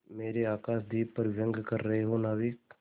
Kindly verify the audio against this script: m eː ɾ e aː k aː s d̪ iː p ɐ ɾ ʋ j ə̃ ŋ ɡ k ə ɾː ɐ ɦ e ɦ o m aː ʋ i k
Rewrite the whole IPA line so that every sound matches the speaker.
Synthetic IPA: m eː ɾ e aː k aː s d̪ iː p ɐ ɾ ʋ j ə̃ ŋ ɡ k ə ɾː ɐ ɦ e ɦ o n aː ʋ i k